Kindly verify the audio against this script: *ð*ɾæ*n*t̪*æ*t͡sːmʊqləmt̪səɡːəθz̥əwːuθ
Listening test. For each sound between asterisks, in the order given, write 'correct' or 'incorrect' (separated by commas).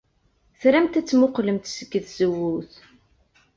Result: incorrect, incorrect, correct